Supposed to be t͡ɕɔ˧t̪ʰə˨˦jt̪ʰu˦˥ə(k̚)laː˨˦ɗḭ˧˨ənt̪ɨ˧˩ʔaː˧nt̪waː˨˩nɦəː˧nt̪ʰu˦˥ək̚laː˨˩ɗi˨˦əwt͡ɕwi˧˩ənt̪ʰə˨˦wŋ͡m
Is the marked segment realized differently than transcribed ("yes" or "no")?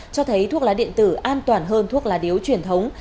no